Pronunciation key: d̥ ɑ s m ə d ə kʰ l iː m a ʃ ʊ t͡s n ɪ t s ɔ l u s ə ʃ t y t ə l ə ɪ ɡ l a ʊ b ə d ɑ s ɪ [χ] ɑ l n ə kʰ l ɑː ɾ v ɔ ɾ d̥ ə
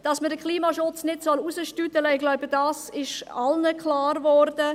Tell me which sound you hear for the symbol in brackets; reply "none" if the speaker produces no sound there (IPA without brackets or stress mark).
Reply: ʃ